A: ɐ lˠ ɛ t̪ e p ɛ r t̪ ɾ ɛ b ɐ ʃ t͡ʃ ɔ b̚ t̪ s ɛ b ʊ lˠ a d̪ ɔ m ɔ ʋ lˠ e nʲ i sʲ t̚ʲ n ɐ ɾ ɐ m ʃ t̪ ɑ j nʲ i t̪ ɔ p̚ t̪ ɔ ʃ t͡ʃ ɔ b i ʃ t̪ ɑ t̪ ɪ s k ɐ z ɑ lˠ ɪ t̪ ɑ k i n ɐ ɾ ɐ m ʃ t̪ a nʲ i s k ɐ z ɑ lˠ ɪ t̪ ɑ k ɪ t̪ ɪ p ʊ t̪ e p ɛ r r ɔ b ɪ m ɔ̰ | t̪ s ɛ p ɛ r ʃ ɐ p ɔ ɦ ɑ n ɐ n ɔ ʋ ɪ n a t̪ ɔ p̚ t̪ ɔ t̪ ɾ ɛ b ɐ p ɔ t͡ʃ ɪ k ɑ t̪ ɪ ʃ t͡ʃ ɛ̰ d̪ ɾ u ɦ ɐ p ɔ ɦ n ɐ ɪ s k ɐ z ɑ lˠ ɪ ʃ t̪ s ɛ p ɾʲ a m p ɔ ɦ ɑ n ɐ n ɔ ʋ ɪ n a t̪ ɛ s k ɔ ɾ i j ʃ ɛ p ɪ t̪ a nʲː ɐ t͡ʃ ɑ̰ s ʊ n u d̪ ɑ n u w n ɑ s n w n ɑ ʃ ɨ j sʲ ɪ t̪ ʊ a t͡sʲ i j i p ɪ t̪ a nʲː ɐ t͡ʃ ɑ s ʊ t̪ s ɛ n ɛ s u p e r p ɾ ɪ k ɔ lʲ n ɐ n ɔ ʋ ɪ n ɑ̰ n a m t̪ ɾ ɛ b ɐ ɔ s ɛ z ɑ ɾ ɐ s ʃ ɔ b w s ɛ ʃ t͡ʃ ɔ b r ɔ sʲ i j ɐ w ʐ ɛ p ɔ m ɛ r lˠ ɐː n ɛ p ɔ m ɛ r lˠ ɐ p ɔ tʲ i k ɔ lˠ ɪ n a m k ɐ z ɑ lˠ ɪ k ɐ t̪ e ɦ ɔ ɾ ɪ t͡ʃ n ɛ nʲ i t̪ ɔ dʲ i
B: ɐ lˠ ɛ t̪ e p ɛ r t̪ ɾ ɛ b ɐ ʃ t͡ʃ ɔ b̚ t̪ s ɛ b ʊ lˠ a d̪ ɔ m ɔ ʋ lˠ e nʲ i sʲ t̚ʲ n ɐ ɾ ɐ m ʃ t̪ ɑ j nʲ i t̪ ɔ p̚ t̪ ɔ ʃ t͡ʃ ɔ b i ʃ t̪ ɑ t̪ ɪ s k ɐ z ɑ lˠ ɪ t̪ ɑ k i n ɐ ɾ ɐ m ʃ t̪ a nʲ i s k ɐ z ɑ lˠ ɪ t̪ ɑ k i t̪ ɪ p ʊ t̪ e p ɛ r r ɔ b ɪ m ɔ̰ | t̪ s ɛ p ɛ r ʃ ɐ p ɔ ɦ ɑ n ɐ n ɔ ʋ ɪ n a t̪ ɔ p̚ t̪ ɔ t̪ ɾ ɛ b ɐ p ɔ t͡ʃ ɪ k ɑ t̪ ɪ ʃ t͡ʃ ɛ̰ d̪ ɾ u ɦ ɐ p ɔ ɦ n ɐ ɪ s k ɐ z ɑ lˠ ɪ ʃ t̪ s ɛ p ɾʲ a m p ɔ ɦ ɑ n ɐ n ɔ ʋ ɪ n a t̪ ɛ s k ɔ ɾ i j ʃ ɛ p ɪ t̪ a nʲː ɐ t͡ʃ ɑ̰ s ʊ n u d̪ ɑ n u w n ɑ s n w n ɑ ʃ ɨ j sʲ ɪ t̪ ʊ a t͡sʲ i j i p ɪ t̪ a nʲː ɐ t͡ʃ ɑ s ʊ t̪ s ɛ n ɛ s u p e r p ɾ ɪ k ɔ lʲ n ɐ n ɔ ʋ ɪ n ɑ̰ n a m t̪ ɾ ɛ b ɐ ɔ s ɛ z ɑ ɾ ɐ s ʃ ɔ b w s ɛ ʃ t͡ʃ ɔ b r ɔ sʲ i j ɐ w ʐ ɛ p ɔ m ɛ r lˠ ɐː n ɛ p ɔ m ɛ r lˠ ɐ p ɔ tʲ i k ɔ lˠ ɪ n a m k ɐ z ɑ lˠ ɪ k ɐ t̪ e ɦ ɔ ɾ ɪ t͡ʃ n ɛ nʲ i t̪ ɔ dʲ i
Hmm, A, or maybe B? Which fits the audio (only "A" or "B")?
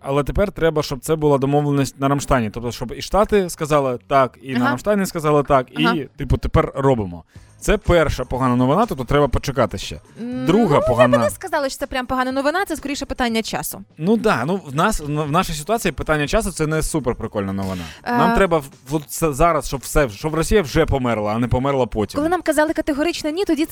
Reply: B